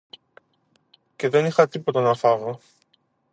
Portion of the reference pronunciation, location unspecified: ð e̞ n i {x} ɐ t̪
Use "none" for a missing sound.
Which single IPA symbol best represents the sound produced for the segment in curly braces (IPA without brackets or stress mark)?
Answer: x